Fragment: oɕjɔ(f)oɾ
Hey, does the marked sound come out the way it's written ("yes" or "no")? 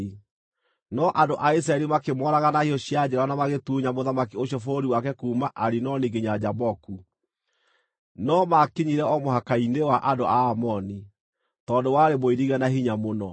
yes